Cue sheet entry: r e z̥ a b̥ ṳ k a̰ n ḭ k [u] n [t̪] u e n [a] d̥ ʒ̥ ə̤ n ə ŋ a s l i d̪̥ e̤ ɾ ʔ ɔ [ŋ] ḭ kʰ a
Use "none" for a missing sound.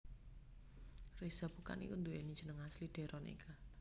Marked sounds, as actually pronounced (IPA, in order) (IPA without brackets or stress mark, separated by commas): u, d̪, i, n